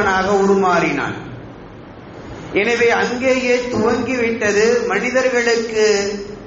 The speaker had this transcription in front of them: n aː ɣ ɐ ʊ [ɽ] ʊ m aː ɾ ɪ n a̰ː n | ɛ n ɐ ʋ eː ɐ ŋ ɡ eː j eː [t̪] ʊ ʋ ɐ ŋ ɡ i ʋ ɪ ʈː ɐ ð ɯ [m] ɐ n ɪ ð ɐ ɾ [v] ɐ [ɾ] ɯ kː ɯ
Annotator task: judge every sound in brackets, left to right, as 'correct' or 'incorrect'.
correct, correct, correct, incorrect, incorrect

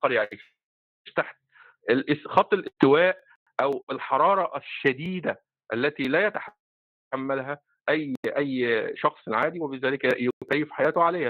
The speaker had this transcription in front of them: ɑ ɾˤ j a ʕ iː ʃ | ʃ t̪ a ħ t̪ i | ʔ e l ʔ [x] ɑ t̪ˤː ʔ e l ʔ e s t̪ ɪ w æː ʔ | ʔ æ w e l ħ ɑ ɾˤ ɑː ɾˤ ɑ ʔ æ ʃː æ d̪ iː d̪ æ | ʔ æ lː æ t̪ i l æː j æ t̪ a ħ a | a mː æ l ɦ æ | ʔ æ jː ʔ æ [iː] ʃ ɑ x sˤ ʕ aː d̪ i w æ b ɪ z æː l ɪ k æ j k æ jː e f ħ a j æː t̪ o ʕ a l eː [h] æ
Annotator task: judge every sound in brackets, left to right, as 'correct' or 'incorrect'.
correct, incorrect, correct

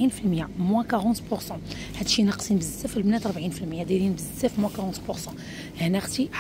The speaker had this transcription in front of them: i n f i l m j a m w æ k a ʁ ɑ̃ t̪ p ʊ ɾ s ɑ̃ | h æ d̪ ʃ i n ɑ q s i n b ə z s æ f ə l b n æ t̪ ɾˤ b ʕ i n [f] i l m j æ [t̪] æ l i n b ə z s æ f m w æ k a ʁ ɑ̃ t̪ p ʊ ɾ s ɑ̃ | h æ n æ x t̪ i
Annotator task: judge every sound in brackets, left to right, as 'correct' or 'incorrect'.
correct, incorrect

